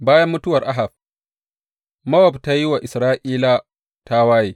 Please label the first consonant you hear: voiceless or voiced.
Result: voiced